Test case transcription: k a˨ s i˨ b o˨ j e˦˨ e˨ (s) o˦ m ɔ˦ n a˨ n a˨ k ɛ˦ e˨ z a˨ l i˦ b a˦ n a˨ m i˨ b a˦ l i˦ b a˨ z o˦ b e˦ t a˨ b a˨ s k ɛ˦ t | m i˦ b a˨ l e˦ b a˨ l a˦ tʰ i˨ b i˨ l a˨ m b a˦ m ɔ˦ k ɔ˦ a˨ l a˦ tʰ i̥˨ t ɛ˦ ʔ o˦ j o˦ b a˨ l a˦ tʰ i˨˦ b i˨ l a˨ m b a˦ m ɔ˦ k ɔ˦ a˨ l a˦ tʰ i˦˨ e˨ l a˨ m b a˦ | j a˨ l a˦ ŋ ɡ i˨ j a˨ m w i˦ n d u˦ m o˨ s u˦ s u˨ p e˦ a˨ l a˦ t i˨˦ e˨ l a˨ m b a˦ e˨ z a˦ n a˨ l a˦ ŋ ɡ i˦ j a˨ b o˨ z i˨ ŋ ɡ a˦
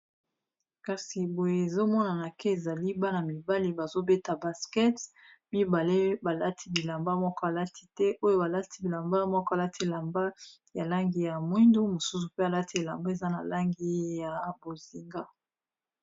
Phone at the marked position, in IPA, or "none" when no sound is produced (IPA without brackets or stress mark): z